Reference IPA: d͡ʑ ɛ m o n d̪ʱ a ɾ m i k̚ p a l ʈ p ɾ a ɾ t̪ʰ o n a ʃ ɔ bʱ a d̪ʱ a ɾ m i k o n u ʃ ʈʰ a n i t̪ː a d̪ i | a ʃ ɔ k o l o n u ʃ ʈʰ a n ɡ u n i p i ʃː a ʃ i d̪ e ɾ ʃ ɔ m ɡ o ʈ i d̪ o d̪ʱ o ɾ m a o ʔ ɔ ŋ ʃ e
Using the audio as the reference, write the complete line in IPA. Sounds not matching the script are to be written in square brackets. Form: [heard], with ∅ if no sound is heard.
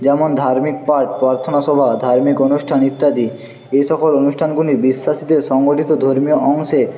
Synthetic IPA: d͡ʑ ɛ m o n d̪ʱ a ɾ m i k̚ p a [ɾ] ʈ p ɾ a ɾ t̪ʰ o n a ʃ ɔ bʱ a d̪ʱ a ɾ m i k o n u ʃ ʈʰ a n i t̪ː a d̪ i | [e] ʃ ɔ k o l o n u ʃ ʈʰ a n ɡ u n i [b] i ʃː a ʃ i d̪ e ɾ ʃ ɔ [ŋ] ɡ o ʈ i [t̪] o d̪ʱ o ɾ m [i] o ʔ ɔ ŋ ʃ e